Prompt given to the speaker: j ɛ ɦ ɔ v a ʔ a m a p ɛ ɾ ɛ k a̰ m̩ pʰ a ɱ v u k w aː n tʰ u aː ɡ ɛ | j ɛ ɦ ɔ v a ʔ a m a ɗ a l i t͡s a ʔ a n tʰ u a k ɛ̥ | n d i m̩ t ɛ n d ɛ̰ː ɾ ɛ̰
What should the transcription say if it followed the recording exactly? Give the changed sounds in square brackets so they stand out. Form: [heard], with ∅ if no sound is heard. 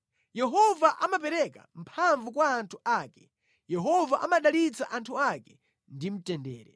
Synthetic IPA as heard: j ɛ ɦ ɔ v a ʔ a m a p ɛ ɾ ɛ k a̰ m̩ pʰ a ɱ v u k w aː n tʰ u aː [k] ɛ | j ɛ ɦ ɔ v a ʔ a m a ɗ a l i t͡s a ʔ a n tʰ u a k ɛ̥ | n d i m̩ t ɛ n d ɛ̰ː ɾ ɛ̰

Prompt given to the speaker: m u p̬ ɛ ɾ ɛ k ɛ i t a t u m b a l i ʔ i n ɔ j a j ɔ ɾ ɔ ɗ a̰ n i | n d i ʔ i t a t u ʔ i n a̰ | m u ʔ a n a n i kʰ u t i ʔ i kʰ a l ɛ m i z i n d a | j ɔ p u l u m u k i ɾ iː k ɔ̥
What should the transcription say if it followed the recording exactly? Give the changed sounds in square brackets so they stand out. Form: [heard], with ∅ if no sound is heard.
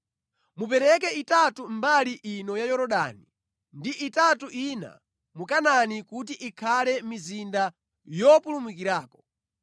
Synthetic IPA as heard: m u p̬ ɛ ɾ ɛ k ɛ i t a t u m b a l i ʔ i n ɔ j a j ɔ ɾ ɔ ɗ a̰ n i | n d i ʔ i t a t u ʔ i n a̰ | m u [k] a n a n i [k] u t i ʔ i kʰ a l ɛ m i z i n d a | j ɔ p u l u m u k i ɾ [aː] k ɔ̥

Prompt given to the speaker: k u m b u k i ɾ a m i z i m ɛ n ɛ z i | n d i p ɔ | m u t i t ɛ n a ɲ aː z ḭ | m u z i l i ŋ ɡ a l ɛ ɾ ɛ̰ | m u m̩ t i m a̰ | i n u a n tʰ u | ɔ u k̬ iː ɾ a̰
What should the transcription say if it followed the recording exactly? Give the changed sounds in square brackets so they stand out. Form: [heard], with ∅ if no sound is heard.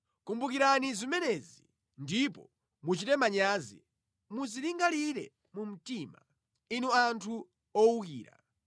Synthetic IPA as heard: k u m b u k i ɾ a [n] i z i m ɛ n ɛ z i | n d i p ɔ | m u [t͡ʃ] i t ɛ [m] a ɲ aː z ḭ | m u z i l i ŋ ɡ a l [i] ɾ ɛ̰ | m u m̩ t i m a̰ | i n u a n tʰ u | ɔ u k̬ iː ɾ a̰

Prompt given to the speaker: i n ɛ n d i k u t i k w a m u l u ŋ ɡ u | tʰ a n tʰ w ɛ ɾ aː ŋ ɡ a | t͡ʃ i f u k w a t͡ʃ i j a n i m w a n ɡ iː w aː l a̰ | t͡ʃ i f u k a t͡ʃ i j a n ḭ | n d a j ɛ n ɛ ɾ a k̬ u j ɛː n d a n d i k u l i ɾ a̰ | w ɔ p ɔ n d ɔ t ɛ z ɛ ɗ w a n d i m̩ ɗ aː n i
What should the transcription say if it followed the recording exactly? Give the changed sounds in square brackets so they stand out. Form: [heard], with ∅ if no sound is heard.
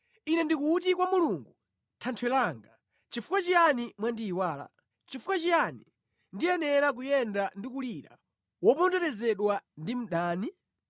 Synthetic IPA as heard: i n ɛ n d i k u t i k w a m u l u ŋ ɡ u | tʰ a n tʰ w ɛ [l] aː ŋ ɡ a | t͡ʃ i f u k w a t͡ʃ i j a n i m w a n [d] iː w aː l a̰ | t͡ʃ i f u k a t͡ʃ i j a n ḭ | n d [i] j ɛ n ɛ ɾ a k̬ u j [ɛ] n d a n d i k u l i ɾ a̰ | w ɔ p ɔ n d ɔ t ɛ z ɛ ɗ w a n d i m̩ ɗ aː n i

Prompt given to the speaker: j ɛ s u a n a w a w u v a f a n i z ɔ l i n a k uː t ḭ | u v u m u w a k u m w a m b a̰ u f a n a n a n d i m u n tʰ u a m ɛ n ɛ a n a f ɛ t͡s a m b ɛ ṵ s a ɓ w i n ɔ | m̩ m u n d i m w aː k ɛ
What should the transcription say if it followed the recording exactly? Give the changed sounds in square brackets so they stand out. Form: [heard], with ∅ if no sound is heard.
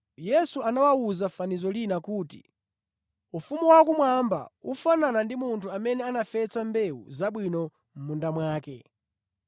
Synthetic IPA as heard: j ɛ s u a n a w a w u [z] a f a n i z ɔ l i n a k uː t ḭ | u [f] u m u w a k u m w a m b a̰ u f a n a n a n d i m u n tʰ u a m ɛ n ɛ a n a f ɛ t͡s a m b ɛ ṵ [z] a ɓ w i n ɔ | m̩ m u n d [a] m w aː k ɛ

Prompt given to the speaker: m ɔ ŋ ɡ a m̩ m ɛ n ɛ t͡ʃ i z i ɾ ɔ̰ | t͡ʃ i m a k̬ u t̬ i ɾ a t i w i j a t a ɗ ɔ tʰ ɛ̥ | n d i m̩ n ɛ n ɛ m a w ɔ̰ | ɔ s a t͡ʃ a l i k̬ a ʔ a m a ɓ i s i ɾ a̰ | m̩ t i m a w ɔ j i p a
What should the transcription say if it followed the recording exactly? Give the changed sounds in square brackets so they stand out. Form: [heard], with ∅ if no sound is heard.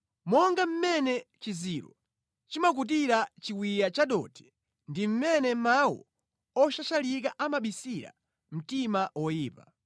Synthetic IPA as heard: m ɔ ŋ ɡ a m̩ m ɛ n ɛ t͡ʃ i z i ɾ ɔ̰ | t͡ʃ i m a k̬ u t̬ i ɾ a [t͡ʃ] i w i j a [t͡ʃ] a ɗ ɔ tʰ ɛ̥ | n d i m̩ [m] ɛ n ɛ m a w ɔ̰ | ɔ [ʃ] a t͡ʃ a l i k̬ a ʔ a m a ɓ i s i ɾ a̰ | m̩ t i m a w ɔ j [iː] p a

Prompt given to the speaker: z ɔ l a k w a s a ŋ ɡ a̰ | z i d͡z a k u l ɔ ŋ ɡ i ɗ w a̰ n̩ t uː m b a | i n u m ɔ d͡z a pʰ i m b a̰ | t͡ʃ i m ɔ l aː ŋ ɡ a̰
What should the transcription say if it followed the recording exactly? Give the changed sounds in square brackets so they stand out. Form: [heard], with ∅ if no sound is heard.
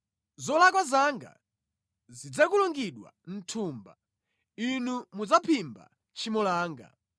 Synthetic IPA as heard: z ɔ l a k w a [z] a ŋ ɡ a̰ | z i d͡z a k u l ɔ ŋ ɡ i ɗ w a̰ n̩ [tʰ] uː m b a | i n u m [u] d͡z a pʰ i m b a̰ | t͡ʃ i m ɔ l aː ŋ ɡ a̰

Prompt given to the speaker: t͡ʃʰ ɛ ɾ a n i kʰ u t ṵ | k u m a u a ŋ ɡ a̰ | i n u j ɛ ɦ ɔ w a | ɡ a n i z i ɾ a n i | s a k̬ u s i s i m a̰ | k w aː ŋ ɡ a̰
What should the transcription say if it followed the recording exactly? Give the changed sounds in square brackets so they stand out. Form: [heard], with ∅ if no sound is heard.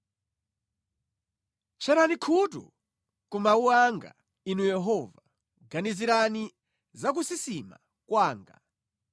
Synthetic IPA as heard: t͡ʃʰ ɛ ɾ a n i kʰ u t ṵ | k u m a u a ŋ ɡ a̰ | i n u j ɛ ɦ ɔ [v] a | ɡ a n i z i ɾ a n i | [z] a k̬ u s i s i m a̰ | k w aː ŋ ɡ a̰

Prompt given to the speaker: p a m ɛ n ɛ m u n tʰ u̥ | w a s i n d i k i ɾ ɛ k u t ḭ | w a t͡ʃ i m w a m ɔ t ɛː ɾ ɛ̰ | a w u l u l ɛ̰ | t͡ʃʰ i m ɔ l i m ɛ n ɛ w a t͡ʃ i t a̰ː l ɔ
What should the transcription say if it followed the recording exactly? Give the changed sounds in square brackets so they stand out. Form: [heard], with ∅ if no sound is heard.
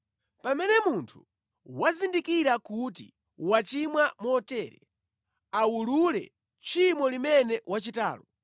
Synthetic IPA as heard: p a m ɛ n ɛ m u n tʰ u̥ | w a [z] i n d i k i ɾ [a] k u t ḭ | w a t͡ʃ i m w a m ɔ t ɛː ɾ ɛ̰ | a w u l u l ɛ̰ | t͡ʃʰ i m ɔ l i m ɛ n ɛ w a t͡ʃ i t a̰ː l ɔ

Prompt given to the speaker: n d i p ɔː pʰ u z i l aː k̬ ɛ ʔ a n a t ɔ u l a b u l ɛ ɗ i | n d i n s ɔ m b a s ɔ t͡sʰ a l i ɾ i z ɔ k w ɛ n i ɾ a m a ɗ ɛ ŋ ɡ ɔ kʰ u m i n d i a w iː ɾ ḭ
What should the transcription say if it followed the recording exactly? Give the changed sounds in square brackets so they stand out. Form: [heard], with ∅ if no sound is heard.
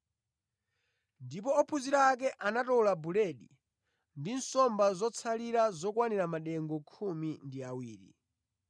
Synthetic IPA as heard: n d i p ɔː pʰ u z i [ɾ] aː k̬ ɛ ʔ a n a t ɔ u l a b u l ɛ ɗ i | n d i n s ɔ m b a [z] ɔ t͡sʰ a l i ɾ [a] z ɔ k w [a] n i ɾ a m a ɗ ɛ ŋ ɡ ɔ kʰ u m i n d i a w iː ɾ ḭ

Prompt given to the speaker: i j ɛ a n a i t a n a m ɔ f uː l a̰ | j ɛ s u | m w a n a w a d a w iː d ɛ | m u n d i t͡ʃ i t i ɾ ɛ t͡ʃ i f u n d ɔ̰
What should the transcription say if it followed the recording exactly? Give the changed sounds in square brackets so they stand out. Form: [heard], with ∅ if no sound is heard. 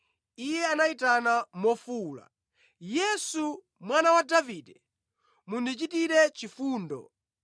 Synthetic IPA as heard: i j ɛ a n a i t a n a m ɔ f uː l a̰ | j ɛ s u | m w a n a w a d a [v] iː d ɛ | m u n d i t͡ʃ i t i ɾ ɛ t͡ʃ i f [uː] n d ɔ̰

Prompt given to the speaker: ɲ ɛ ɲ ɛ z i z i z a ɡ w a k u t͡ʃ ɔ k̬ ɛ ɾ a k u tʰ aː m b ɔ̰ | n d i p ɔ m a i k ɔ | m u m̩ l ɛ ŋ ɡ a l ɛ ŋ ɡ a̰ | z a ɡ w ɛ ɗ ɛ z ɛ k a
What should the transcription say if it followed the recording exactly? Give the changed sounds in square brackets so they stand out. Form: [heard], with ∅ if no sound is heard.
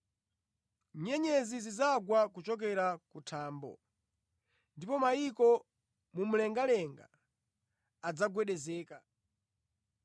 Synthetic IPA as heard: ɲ ɛ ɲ ɛ z i z i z a ɡ w a k u t͡ʃ ɔ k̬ ɛ ɾ a k u tʰ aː m b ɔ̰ | n d i p ɔ m a i k ɔ | m u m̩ l ɛ ŋ ɡ a l ɛ ŋ ɡ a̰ | [d͡z] a ɡ w ɛ ɗ ɛ z [ɛː] k a

